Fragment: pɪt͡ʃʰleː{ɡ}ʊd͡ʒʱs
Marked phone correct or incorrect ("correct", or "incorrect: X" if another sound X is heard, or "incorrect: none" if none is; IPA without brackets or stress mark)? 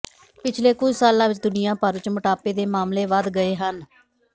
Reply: incorrect: k